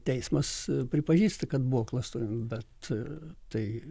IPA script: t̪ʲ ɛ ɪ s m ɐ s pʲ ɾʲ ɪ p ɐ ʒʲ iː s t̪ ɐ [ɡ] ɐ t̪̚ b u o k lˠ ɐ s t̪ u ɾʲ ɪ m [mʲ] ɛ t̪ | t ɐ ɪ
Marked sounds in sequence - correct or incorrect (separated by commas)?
incorrect, incorrect